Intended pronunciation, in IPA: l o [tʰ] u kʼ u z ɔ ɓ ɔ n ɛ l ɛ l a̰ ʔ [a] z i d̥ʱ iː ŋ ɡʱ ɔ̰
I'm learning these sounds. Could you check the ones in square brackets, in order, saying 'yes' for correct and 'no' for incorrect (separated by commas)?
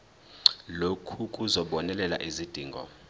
no, no